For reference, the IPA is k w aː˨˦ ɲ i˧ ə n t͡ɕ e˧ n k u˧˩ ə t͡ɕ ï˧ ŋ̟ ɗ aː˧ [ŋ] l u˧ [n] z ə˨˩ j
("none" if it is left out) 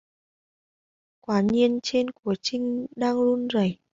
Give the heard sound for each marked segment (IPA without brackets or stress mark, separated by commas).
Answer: ŋ, n